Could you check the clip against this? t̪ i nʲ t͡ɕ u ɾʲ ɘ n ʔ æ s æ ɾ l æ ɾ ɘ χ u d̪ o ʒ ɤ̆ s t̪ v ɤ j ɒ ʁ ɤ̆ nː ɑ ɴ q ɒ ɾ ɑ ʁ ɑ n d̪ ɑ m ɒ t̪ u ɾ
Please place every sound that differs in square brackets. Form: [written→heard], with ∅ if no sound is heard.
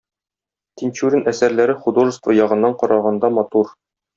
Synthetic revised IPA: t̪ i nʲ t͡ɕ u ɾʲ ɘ n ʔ æ s æ ɾ l æ ɾ ɘ χ u d̪ o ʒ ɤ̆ s t̪ v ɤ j ɒ ʁ ɤ̆ nː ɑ ɴ q ɒ ɾ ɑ ʁ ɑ n d̪ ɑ m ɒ t̪ u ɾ